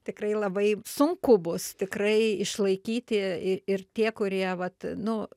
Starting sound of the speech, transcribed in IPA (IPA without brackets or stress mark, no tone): t̪ʲ